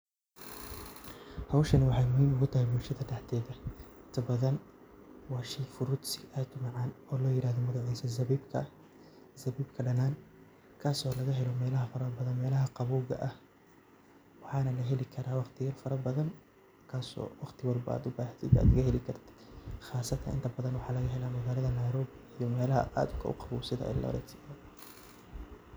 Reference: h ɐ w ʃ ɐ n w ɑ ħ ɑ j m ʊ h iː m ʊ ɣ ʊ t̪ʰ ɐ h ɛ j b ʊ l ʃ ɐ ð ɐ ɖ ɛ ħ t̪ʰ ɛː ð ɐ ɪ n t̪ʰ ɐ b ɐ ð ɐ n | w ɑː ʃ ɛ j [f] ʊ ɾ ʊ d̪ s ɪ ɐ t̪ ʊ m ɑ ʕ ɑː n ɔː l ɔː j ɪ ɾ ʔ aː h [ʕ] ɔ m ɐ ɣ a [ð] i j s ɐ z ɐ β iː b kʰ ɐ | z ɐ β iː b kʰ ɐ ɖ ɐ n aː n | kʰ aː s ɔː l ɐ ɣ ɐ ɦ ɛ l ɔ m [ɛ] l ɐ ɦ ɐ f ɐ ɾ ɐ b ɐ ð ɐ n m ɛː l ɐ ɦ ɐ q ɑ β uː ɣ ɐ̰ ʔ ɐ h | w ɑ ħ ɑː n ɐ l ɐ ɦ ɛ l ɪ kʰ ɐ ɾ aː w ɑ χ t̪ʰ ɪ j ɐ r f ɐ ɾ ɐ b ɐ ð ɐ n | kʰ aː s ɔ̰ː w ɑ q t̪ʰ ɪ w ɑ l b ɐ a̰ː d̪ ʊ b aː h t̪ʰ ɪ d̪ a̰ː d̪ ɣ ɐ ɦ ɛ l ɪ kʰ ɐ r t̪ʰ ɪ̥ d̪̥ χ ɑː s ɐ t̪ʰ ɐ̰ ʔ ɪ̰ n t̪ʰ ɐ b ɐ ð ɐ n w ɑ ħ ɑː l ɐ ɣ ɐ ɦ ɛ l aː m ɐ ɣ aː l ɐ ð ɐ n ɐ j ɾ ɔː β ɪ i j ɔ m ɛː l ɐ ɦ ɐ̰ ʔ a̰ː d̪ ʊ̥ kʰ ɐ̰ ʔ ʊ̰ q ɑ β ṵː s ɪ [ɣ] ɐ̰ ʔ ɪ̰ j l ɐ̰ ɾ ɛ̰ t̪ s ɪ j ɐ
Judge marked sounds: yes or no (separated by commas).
yes, no, no, no, no